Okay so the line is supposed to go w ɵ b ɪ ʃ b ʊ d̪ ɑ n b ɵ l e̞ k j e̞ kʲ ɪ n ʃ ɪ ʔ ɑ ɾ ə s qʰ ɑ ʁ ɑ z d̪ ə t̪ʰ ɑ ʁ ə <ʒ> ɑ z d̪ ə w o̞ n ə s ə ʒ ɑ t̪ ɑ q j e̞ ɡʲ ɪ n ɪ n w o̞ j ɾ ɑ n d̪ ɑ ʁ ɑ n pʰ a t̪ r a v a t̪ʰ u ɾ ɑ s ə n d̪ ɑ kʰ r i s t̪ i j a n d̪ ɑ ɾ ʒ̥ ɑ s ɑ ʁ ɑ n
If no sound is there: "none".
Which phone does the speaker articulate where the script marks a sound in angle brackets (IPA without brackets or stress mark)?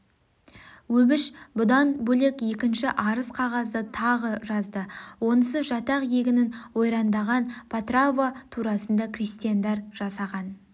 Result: ʒ